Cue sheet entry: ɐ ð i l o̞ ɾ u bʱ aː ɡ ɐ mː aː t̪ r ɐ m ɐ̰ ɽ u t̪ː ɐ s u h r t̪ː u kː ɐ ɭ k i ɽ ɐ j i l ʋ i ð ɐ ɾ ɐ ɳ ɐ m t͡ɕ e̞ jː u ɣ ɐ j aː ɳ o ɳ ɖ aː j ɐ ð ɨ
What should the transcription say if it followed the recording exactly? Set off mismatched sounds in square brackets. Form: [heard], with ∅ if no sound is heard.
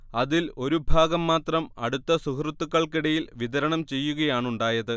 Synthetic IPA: ɐ ð i l o̞ ɾ u bʱ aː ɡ ɐ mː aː t̪ r ɐ m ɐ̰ ɽ u t̪ː ɐ s u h r t̪ː u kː ɐ ɭ k i ɽ ɐ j i l ʋ i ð ɐ ɾ ɐ ɳ ɐ m t͡ɕ e̞ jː u ɣ ɐ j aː ɳ [u] ɳ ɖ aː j ɐ ð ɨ